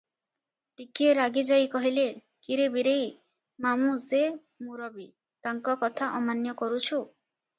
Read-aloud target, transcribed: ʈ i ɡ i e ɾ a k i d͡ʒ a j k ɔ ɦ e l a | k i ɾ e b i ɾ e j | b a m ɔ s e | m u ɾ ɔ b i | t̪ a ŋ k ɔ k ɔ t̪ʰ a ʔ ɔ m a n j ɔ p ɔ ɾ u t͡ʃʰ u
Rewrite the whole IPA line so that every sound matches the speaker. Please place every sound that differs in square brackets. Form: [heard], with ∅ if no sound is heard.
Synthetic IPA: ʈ i [k] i e ɾ a [ɡ] i d͡ʒ a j k ɔ ɦ [i] l [e] | k i ɾ e b i ɾ e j | [m] a m [u] s e | m u ɾ ɔ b i | t̪ a ŋ k ɔ k ɔ t̪ʰ a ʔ ɔ m a n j ɔ [k] ɔ ɾ u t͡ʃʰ u